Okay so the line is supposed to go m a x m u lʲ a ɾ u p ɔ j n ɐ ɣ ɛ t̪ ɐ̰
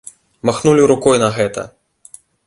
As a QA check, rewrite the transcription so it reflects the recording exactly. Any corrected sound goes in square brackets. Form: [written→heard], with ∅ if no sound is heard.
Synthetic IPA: m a x [m→n] u lʲ [a→i] ɾ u [p→k] ɔ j n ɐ ɣ ɛ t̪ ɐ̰